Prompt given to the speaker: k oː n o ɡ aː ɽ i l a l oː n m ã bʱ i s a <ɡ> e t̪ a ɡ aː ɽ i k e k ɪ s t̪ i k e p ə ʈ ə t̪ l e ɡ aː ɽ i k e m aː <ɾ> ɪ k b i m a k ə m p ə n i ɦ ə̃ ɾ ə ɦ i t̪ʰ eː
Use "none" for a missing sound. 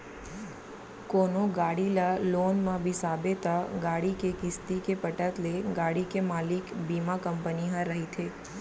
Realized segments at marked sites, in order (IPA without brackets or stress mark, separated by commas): b, l